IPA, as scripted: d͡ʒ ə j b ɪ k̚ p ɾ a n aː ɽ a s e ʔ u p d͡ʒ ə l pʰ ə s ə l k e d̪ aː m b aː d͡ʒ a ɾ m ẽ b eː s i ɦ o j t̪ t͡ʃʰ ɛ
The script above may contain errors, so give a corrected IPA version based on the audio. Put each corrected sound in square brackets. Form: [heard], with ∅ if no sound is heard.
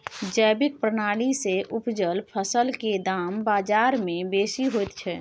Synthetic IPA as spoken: d͡ʒ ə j b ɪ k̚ p ɾ [ə] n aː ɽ [i] s e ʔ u p d͡ʒ ə l pʰ ə s ə l k e d̪ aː m b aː d͡ʒ a ɾ m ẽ b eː s i ɦ o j t̪ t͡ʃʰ ɛ